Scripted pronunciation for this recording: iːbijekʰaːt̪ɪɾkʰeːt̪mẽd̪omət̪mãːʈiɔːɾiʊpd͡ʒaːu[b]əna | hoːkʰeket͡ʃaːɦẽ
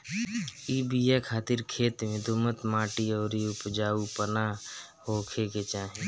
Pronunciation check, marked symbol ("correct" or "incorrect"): incorrect